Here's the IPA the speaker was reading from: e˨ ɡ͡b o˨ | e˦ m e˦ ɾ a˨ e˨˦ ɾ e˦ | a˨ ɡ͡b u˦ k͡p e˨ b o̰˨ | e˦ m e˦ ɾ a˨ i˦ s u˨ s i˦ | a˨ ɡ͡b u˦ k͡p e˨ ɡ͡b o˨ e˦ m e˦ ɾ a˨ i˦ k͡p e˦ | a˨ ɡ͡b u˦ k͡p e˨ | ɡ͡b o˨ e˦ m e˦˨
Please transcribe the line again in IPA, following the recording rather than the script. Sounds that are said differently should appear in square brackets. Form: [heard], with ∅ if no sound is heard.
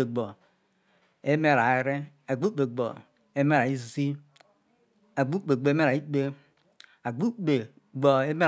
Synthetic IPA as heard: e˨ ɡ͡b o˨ | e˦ m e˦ ɾ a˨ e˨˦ ɾ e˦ | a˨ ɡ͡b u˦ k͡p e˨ [ɡ͡b] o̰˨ | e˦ m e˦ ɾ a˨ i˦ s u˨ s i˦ | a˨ ɡ͡b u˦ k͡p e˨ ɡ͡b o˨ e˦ m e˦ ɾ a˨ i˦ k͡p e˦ | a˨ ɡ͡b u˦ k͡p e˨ | ɡ͡b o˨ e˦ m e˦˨